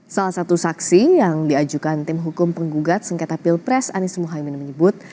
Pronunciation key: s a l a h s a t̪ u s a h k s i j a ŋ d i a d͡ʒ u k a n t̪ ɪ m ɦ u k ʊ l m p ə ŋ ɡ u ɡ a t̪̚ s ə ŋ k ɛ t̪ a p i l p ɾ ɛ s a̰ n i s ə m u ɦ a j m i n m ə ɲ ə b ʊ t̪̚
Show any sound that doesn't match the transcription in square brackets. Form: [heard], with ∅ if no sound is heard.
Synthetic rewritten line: s a l a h s a t̪ u s a [∅] k s i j a ŋ d i a d͡ʒ u k a n t̪ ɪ m ɦ u k ʊ [∅] m p ə ŋ ɡ u ɡ a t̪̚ s ə ŋ k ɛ t̪ a p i l p ɾ ɛ s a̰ n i s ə m u ɦ a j m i n m ə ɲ ə b ʊ t̪̚